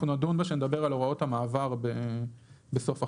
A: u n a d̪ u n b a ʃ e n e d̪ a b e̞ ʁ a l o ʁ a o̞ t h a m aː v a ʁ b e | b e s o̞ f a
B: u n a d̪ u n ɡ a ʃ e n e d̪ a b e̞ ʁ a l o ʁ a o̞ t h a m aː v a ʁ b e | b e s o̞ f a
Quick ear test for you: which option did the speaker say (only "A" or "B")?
A